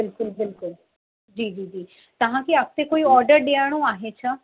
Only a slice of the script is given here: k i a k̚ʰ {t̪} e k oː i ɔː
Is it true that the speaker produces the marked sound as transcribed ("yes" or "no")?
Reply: yes